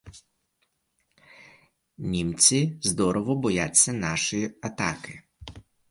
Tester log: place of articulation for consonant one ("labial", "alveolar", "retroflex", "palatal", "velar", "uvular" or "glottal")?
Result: alveolar